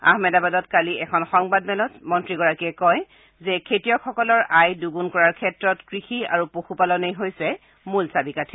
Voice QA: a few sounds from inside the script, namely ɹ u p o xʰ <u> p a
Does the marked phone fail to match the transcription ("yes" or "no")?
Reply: no